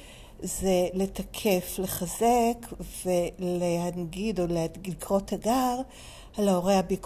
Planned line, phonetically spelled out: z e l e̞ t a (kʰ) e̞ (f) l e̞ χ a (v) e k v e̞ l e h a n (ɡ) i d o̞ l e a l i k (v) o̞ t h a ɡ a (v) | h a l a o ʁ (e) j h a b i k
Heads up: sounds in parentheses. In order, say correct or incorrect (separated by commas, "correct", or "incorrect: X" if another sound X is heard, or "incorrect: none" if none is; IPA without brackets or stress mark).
correct, correct, incorrect: z, correct, incorrect: ʁ, incorrect: ʁ, correct